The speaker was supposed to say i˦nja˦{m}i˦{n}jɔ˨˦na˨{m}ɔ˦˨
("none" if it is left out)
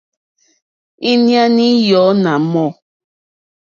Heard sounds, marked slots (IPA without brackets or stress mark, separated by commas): n, none, m